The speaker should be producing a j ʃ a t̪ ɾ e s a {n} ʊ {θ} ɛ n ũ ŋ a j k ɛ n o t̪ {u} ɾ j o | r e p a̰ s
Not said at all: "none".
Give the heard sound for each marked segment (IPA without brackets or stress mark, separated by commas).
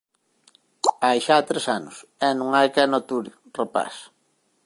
n, s, u